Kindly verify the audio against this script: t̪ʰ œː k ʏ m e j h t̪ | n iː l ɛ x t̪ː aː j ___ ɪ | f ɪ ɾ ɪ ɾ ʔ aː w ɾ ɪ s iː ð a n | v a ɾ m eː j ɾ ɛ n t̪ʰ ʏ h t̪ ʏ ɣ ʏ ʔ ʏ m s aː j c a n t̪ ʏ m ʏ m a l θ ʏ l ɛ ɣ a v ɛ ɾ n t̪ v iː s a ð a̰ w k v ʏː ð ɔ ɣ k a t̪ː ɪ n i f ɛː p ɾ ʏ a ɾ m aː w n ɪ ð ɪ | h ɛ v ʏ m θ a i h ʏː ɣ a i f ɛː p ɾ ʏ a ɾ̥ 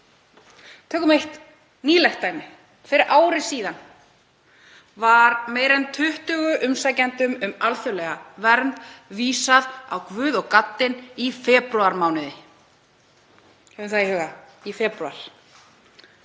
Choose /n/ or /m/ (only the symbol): m